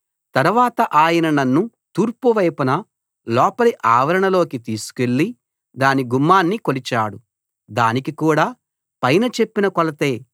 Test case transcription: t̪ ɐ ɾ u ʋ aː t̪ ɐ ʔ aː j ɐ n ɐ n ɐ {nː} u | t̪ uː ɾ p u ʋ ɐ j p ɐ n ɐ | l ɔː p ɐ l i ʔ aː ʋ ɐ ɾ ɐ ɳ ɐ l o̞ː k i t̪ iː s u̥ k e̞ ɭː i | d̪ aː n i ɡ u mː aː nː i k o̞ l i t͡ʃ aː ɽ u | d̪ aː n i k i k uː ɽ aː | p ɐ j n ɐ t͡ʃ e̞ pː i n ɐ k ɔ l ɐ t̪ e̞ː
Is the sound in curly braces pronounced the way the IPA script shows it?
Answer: yes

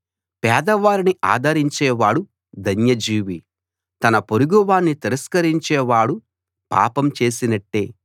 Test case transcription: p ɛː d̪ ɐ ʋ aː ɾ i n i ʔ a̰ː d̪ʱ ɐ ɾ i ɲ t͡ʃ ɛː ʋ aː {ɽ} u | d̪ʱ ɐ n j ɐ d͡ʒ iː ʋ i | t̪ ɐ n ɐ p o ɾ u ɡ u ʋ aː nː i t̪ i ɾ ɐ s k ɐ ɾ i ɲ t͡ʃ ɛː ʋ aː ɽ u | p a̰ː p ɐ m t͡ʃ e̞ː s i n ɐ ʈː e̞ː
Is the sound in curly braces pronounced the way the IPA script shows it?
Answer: yes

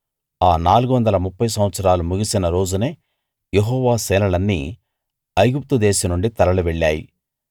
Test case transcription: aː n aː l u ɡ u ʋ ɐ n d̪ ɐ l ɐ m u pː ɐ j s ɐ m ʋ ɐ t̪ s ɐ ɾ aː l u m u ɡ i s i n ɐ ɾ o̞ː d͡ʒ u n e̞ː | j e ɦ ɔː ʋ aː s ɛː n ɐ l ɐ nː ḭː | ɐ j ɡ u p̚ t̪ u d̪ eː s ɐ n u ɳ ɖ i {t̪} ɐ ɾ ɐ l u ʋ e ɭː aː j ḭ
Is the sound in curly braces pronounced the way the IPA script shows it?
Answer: yes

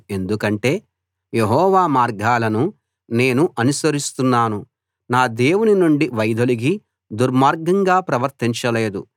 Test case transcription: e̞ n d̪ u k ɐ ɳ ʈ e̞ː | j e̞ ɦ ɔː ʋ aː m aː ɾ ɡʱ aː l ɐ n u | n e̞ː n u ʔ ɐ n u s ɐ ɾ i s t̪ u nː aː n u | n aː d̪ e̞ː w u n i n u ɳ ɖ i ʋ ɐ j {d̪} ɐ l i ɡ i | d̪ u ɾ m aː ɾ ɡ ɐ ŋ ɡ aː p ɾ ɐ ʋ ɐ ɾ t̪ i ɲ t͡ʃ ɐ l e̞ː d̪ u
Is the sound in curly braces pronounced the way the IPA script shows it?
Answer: yes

